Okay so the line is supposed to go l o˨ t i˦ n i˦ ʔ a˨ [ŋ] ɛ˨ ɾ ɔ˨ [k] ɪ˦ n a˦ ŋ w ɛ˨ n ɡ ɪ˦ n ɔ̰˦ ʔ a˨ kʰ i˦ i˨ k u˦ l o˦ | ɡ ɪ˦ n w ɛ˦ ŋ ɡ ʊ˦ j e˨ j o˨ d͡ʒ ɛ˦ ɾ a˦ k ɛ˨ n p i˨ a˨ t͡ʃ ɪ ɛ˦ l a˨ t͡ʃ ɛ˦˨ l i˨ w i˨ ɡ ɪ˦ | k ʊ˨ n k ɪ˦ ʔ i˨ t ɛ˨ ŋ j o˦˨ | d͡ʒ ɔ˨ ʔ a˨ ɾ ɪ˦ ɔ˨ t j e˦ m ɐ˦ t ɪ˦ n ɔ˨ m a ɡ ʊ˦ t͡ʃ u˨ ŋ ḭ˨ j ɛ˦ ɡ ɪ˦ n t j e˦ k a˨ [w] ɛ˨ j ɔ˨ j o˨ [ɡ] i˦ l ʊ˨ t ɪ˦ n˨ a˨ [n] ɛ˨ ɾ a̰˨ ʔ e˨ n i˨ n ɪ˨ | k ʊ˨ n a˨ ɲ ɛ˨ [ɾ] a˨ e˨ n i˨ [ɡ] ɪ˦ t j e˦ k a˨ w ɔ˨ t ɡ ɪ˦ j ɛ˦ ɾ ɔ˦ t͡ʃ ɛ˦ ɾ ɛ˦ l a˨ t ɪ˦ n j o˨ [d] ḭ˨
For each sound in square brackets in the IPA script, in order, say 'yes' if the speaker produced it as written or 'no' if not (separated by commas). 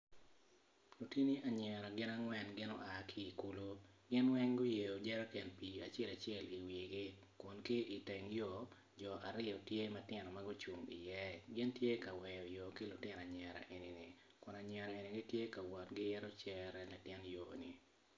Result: no, no, yes, no, no, yes, yes, no